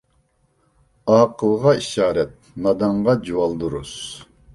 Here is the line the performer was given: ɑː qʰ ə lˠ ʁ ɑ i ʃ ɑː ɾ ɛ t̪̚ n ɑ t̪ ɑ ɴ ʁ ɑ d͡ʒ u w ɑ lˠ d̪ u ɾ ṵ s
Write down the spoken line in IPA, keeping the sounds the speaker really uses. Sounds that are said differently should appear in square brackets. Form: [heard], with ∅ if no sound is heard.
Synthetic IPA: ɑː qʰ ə lˠ ʁ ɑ i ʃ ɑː ɾ ɛ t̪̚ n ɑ [d̪] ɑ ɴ ʁ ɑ d͡ʒ u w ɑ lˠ d̪ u ɾ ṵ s